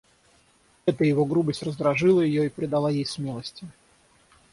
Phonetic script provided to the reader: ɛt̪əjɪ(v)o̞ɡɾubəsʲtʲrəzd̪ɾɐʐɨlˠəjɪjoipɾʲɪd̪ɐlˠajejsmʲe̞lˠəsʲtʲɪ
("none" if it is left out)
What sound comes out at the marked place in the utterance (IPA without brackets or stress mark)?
v